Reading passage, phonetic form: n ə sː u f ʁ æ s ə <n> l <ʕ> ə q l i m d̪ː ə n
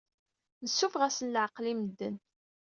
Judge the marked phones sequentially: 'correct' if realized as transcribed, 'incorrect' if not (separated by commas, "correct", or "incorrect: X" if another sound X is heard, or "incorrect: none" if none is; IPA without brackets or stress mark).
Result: correct, correct